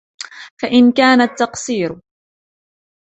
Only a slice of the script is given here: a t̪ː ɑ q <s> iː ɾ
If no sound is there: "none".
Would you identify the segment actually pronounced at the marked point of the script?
s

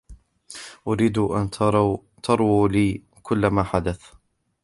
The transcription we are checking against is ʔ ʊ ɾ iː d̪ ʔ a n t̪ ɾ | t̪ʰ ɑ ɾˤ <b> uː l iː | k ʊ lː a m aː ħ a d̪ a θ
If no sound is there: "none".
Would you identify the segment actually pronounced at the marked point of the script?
w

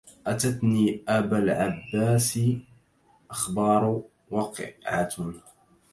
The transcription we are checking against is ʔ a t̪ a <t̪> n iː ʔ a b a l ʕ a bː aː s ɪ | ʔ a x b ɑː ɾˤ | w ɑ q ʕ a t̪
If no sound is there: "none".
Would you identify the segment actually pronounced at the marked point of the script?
t̪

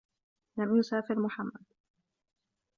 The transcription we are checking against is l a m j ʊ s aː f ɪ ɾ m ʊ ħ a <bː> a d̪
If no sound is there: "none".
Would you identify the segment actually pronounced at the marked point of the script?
mː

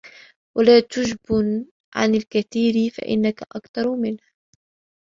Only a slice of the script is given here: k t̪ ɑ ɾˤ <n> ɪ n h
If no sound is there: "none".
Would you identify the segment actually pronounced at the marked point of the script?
m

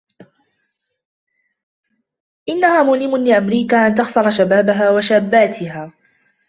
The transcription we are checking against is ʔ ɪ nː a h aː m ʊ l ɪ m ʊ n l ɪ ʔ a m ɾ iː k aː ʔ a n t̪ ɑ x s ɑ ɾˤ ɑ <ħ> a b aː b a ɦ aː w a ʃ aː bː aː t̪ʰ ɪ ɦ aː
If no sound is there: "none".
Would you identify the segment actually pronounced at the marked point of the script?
ʃ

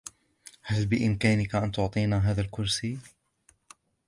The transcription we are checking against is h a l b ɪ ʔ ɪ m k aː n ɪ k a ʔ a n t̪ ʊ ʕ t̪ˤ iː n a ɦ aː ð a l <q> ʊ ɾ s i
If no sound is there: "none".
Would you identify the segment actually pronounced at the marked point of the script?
k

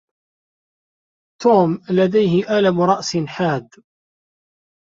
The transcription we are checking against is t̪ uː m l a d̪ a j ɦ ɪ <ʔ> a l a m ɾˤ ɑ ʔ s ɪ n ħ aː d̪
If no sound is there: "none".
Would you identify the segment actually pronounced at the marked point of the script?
ʔ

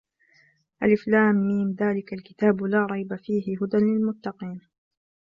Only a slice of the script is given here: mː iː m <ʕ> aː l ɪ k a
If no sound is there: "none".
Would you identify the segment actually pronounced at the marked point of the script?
ð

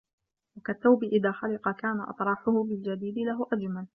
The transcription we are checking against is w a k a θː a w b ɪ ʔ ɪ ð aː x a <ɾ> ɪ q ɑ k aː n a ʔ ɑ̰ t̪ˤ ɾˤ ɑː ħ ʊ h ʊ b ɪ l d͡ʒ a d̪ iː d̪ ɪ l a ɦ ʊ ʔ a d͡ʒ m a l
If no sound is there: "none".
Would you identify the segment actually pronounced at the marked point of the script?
l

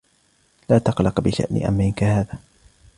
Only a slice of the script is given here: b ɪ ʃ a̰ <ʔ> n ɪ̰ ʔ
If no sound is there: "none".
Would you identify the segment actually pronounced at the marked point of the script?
ʔ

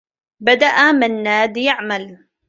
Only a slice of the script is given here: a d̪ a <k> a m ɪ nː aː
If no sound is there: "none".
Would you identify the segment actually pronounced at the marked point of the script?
ʔ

